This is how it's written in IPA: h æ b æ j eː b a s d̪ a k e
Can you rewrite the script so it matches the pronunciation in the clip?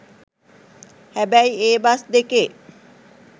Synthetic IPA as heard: h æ b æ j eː b a s d̪ e k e